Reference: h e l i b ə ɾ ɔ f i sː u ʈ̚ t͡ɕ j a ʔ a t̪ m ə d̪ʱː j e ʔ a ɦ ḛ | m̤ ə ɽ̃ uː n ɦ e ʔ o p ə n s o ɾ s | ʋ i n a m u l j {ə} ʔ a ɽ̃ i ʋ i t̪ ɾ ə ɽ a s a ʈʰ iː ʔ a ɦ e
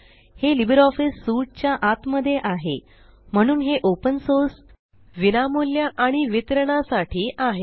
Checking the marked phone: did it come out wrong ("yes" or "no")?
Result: yes